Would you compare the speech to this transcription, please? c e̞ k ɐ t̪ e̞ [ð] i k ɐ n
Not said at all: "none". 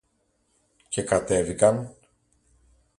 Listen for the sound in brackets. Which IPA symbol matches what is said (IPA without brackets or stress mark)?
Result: v